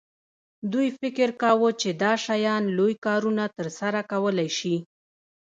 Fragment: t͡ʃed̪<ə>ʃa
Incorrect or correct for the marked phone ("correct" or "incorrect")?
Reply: incorrect